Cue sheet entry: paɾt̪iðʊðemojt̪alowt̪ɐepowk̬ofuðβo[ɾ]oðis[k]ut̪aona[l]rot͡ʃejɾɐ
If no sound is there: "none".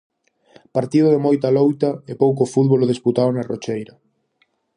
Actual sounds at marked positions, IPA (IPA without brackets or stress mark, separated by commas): l, p, none